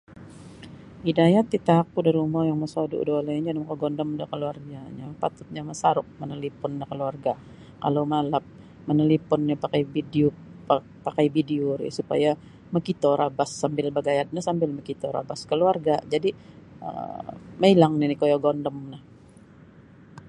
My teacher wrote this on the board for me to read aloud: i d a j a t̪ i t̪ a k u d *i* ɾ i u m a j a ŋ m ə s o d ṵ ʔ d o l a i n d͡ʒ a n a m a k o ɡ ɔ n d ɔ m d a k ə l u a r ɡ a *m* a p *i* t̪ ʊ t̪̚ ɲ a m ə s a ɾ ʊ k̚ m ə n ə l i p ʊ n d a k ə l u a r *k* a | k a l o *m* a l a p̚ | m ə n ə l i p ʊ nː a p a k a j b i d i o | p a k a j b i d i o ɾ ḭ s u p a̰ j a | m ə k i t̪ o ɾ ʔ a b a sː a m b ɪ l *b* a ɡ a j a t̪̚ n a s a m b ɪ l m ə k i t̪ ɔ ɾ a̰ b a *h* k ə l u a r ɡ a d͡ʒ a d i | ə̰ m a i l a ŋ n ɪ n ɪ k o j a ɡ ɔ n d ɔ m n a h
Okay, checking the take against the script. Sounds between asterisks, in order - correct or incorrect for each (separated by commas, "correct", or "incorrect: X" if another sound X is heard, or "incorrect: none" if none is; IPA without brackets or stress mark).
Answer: incorrect: a, incorrect: ɲ, incorrect: a, incorrect: ɡ, correct, correct, incorrect: s